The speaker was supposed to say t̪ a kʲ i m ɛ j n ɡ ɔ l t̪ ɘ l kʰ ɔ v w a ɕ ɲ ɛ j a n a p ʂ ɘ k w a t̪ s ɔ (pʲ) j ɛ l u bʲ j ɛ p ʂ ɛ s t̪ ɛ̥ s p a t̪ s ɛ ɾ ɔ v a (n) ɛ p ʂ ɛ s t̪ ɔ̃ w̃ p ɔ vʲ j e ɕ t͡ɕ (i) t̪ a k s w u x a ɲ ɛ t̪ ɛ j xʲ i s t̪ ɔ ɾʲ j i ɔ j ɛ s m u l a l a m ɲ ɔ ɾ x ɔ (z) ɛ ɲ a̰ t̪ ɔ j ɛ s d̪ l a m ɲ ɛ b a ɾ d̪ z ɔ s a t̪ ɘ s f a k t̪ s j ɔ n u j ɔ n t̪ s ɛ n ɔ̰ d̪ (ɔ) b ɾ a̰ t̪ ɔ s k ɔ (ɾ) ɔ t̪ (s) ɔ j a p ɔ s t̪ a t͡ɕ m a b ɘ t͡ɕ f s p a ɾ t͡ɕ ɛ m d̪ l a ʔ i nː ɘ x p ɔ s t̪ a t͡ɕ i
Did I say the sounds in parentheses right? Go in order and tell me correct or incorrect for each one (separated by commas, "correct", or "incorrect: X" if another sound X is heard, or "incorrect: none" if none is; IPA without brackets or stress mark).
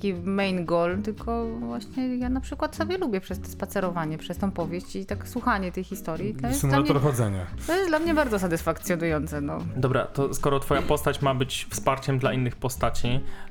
incorrect: bʲ, incorrect: ɲ, correct, correct, correct, correct, incorrect: f